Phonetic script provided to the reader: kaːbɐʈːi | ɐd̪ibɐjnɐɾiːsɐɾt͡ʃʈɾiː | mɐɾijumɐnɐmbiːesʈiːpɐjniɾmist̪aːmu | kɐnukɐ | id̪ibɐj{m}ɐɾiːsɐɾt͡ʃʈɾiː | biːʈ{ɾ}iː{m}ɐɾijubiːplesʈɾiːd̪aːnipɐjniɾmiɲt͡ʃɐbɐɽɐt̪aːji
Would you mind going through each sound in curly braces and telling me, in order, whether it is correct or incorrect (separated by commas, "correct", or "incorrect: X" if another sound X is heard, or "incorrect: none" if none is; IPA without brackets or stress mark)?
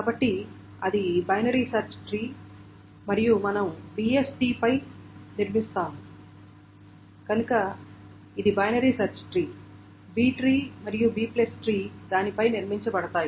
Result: incorrect: n, correct, correct